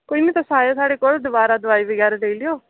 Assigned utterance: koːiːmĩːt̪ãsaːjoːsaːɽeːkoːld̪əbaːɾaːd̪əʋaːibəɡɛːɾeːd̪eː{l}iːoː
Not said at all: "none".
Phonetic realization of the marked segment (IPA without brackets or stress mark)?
l